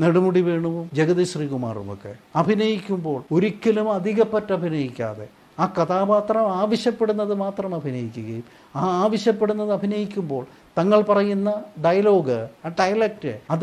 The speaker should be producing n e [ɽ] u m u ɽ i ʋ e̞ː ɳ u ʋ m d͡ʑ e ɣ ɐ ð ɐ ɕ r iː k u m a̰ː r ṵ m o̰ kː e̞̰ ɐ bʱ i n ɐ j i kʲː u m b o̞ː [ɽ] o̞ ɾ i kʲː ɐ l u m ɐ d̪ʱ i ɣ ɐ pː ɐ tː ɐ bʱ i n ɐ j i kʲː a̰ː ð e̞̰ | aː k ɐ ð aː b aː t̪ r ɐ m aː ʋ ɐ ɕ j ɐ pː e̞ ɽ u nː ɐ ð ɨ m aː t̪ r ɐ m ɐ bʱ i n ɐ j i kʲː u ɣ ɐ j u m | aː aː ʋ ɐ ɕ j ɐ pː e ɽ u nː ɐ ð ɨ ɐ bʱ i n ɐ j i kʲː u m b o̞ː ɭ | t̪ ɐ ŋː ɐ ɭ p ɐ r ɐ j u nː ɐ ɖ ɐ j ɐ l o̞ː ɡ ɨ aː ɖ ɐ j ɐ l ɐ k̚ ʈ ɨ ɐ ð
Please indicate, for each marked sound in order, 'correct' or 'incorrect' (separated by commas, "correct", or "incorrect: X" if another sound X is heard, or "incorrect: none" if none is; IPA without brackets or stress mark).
correct, incorrect: ɭ